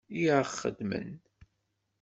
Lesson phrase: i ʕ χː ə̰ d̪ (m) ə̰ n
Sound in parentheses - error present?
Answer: no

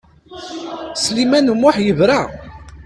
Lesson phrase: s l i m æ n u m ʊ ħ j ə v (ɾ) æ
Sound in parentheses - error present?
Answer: no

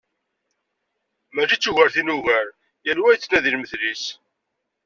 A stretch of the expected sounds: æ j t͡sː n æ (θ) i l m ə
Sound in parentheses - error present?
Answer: yes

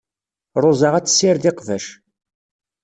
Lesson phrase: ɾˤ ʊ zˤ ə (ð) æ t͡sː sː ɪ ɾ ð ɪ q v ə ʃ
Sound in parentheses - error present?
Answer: yes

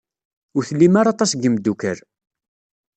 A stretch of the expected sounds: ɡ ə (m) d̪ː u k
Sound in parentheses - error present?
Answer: no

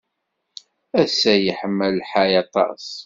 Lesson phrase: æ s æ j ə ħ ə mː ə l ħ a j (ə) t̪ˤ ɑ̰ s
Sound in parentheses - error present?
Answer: yes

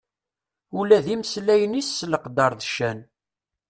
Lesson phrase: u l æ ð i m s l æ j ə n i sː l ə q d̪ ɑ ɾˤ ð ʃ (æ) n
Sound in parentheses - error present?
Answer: no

